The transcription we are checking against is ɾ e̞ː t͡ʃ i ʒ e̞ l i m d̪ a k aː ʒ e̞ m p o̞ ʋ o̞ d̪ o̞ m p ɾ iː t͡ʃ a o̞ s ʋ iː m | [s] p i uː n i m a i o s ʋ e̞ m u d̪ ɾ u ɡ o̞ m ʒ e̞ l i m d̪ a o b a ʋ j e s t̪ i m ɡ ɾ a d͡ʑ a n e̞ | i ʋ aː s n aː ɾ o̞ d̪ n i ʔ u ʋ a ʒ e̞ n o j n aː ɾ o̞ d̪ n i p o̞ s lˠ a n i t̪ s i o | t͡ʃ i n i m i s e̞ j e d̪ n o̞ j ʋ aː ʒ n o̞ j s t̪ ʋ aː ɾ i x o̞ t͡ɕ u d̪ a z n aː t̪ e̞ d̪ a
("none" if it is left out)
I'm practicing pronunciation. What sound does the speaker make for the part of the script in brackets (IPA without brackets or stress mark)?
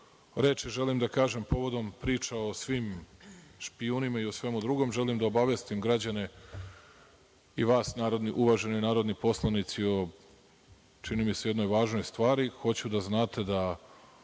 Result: ʃ